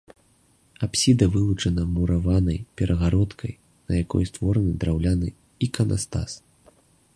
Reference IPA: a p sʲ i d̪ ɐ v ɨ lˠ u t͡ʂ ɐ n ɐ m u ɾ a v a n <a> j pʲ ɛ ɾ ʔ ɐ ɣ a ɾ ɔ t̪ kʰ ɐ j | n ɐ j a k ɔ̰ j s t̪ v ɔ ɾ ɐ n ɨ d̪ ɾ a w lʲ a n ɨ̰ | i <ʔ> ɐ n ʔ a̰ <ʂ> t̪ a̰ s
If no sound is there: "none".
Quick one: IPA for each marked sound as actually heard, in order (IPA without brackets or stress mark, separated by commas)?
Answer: ɐ, k, s